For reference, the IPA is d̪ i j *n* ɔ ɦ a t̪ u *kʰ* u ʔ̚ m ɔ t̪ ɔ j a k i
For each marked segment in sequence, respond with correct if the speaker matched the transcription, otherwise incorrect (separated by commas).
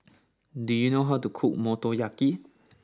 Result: correct, correct